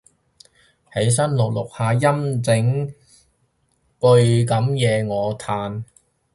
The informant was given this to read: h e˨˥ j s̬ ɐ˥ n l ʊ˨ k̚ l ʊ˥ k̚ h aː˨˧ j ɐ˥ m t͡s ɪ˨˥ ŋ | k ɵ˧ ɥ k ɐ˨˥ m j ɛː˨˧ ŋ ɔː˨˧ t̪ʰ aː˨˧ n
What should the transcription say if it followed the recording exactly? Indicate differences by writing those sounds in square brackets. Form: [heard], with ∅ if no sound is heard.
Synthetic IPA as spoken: h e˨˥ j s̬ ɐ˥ n l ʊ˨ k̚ l [ʊ˨] k̚ h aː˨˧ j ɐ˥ m t͡s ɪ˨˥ ŋ | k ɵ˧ ɥ k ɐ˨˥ m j ɛː˨˧ ŋ ɔː˨˧ t̪ʰ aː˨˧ n